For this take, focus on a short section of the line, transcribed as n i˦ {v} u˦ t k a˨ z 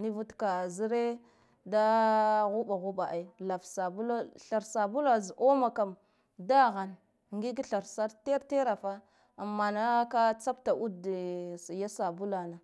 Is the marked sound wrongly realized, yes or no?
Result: no